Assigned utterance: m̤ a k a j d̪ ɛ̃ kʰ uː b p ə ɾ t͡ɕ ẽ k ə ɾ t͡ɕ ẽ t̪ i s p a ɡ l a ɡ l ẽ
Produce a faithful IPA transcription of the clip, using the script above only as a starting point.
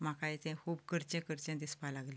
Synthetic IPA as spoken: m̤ a k a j t̪ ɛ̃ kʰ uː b k ə ɾ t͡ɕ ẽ k ə ɾ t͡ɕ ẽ d̪ i s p a l a ɡ l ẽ